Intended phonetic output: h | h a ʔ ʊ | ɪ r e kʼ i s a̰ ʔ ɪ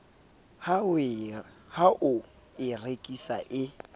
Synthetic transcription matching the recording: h | h a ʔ ʊ | ɪ r e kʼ i s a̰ ʔ ɪ